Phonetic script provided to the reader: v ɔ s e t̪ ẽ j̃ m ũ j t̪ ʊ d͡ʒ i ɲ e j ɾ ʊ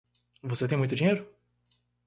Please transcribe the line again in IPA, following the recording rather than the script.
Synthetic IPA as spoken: v o s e t̪ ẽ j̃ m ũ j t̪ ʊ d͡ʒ i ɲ e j ɾ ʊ